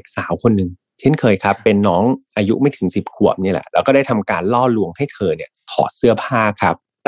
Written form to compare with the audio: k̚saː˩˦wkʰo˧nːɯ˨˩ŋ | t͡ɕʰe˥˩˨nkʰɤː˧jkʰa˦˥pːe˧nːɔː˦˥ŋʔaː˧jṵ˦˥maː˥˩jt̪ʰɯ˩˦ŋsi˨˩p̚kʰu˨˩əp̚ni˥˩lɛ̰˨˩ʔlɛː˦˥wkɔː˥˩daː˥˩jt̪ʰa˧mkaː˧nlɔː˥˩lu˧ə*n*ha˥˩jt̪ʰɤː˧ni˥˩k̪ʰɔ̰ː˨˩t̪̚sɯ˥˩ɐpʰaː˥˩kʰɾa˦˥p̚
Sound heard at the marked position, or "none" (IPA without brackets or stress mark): ŋ